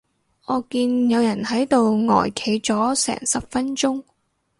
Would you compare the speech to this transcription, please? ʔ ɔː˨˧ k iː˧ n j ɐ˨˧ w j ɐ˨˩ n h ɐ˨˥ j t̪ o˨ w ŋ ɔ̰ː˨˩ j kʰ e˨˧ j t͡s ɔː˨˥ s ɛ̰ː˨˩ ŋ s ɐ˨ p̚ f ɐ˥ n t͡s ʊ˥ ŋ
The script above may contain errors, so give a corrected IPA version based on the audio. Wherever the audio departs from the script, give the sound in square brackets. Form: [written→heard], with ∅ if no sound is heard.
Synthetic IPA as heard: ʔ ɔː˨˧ k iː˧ n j ɐ˨˧ w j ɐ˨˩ n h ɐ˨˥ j t̪ o˨ w ŋ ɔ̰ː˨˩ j kʰ e˨˧ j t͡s ɔː˨˥ s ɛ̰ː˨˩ ŋ s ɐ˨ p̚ f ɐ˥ n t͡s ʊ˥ ŋ